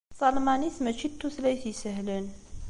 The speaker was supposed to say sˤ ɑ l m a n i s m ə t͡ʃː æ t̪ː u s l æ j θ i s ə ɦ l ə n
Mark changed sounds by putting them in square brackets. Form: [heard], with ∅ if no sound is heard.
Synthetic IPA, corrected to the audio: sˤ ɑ l m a n i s m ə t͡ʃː [i] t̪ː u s l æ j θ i s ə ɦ l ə n